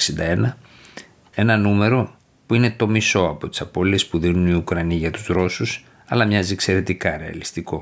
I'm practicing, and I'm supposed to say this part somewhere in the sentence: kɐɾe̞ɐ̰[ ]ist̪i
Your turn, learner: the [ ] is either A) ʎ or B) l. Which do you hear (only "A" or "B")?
B